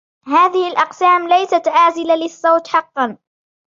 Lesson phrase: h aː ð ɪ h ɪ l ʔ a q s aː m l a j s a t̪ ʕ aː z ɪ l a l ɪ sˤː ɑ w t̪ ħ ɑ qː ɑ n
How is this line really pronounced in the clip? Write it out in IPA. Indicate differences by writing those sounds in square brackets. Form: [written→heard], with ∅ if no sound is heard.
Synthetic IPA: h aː ð ɪ h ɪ l ʔ [a→ɑ] q s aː m l a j s a t̪ ʕ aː z ɪ l a l ɪ sˤː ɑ w t̪ ħ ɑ qː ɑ n